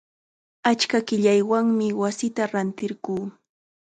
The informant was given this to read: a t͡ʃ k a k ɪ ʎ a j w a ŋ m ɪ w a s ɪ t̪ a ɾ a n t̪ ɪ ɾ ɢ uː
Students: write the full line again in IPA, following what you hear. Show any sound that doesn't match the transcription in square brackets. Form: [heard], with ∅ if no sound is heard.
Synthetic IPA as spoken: a t͡ʃ k a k ɪ ʎ a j w a ŋ m ɪ w a s ɪ t̪ a ɾ a n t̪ ɪ ɾ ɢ uː